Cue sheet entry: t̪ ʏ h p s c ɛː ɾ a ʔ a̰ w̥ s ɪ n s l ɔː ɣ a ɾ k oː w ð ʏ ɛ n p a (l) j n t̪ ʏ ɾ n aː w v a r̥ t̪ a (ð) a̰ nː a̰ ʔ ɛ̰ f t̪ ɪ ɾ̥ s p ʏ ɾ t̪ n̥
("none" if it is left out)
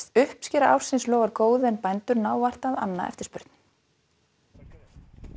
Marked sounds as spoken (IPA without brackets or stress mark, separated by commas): none, ð